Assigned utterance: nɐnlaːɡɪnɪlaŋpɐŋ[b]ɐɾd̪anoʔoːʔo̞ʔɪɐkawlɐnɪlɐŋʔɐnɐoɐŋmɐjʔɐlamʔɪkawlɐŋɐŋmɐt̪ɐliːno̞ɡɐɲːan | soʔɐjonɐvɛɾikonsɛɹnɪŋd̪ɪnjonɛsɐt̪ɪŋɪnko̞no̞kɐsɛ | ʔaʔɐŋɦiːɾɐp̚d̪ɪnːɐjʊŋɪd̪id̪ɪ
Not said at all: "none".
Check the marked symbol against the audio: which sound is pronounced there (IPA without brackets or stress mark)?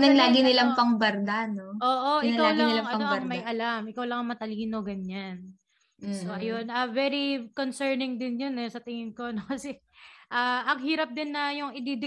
b